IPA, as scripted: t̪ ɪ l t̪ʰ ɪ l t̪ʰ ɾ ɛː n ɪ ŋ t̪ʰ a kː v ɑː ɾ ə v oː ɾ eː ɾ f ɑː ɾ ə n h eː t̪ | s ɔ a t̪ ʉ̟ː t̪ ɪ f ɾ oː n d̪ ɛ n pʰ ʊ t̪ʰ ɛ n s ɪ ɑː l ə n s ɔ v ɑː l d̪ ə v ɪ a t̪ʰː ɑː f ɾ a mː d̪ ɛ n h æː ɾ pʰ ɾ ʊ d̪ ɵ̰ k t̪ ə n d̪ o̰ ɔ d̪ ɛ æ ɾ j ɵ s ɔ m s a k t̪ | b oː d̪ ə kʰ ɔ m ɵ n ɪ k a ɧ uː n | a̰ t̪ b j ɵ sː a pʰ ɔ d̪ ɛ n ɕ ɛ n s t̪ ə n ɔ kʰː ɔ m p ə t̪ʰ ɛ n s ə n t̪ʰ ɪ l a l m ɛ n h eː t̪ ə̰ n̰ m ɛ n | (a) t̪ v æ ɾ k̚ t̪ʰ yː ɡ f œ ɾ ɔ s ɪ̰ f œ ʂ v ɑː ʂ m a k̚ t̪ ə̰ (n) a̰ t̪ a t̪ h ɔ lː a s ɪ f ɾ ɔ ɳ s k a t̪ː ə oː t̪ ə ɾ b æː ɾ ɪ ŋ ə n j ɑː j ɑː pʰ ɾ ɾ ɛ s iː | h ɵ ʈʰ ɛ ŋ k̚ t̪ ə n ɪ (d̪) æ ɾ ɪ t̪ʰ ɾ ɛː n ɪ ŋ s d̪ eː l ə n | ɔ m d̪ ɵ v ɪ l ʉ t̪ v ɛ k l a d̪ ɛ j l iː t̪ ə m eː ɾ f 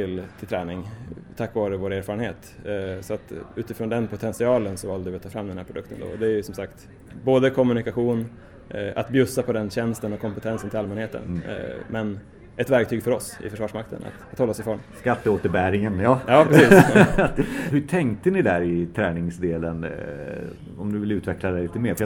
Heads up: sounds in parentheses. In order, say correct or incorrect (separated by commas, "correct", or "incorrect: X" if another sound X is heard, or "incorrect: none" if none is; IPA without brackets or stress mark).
incorrect: ɛ, correct, correct